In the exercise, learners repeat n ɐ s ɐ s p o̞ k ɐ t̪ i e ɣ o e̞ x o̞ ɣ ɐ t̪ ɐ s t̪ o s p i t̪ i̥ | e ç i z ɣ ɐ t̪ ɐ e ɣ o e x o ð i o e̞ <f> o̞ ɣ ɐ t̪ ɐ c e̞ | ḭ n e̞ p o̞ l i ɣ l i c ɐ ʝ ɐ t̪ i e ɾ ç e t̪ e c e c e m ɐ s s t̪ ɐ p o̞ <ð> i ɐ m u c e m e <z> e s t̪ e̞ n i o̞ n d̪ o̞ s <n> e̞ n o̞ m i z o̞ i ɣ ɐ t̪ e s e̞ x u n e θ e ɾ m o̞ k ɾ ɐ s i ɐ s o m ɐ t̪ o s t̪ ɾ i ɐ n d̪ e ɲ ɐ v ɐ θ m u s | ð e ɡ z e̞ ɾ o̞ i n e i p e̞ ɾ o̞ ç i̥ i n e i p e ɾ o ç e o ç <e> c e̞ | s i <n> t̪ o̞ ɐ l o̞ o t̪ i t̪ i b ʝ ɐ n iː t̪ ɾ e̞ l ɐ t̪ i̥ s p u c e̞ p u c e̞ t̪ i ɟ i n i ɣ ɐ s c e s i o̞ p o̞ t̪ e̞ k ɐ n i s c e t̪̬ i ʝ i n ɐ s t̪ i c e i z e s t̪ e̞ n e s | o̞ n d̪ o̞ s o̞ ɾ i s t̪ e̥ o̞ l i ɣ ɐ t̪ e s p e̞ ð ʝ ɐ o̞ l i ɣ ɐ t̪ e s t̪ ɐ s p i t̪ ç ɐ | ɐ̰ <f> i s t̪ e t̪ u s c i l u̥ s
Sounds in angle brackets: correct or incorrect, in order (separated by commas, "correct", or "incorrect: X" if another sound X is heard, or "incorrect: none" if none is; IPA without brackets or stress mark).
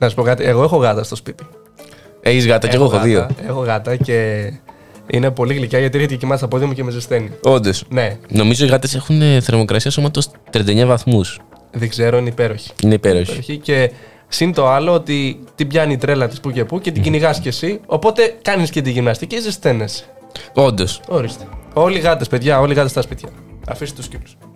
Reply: incorrect: x, correct, correct, correct, incorrect: i, correct, correct